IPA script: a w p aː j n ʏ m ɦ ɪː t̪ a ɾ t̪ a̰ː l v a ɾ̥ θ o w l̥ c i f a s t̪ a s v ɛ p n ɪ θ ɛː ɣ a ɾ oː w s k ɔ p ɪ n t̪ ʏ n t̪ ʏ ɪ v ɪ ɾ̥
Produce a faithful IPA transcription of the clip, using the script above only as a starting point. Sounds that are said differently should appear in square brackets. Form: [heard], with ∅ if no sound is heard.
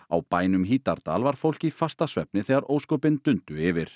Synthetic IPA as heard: a w p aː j n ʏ m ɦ [iː] t̪ a ɾ t̪ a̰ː l v a ɾ̥ [f] o w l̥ c i f a s t̪ a s v ɛ p n ɪ θ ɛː ɣ a ɾ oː w s k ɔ p ɪ n t̪ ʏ n t̪ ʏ ɪ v ɪ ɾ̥